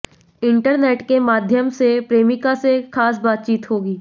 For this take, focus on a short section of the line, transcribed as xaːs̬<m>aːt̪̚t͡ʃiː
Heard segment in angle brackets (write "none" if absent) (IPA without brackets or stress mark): b